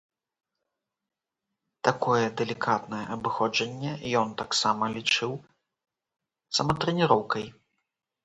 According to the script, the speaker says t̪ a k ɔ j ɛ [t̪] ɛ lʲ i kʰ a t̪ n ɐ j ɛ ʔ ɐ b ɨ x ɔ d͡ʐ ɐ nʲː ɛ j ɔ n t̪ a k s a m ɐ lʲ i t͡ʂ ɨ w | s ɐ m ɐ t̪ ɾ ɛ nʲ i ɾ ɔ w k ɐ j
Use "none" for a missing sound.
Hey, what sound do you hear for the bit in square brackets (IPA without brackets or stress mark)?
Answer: d̪